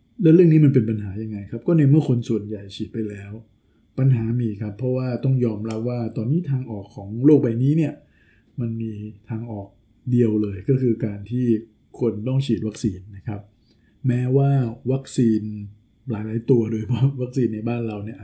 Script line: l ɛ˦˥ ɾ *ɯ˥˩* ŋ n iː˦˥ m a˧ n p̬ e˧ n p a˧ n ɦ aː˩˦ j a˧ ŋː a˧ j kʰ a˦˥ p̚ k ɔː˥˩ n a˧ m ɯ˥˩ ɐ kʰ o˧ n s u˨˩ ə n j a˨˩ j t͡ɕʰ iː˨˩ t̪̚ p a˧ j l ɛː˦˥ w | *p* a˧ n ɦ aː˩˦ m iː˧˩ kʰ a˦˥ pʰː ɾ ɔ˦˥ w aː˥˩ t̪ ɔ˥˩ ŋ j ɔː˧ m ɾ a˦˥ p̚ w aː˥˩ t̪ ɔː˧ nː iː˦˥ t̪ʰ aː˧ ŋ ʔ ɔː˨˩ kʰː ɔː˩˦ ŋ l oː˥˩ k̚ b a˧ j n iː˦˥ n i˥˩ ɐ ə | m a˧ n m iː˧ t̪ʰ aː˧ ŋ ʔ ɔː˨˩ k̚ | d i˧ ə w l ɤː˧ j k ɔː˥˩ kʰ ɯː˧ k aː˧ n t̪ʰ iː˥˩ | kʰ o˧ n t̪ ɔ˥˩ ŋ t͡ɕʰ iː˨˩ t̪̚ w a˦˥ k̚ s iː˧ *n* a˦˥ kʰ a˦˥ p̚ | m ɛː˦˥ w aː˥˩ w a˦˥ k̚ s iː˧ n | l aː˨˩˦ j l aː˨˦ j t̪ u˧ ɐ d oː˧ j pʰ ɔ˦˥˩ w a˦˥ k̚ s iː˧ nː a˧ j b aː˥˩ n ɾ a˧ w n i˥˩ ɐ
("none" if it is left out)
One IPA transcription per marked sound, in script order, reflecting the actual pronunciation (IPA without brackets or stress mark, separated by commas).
ɯ˥˩, p, nː